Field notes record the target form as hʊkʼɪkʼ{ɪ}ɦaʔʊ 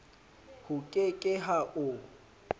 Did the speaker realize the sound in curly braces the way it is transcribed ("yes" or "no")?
yes